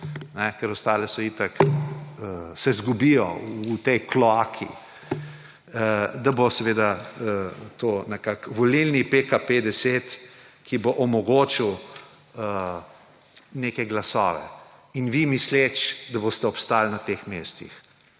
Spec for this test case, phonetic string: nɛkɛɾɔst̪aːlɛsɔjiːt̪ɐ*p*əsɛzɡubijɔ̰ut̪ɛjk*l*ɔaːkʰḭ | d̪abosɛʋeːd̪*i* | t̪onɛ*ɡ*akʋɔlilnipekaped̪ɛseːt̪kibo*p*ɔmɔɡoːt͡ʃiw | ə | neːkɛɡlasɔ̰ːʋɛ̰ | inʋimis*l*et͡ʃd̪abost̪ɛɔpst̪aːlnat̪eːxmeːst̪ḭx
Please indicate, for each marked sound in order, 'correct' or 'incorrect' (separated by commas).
incorrect, correct, incorrect, incorrect, incorrect, correct